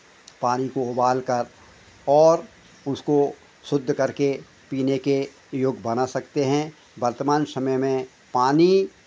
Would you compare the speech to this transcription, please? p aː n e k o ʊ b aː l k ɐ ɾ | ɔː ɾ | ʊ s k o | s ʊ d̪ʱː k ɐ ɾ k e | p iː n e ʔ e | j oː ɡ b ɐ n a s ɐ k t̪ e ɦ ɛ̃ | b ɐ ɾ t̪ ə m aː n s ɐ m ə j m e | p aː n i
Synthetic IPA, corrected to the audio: p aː n i k o ʊ b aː l k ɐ ɾ | ɔː ɾ | ʊ s k o | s ʊ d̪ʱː k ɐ ɾ k e | p iː n e k e | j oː ɡ b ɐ n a s ɐ k t̪ e ɦ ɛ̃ | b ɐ ɾ t̪ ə m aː n s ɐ m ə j m ẽ | p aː n i